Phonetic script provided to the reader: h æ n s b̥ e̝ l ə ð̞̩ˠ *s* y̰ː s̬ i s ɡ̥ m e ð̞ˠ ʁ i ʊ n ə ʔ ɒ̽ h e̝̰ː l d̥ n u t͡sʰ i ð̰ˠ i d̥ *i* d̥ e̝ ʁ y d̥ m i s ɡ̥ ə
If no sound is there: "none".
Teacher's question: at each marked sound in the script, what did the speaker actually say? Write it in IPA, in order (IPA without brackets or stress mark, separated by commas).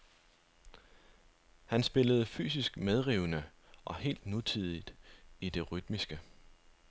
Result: f, i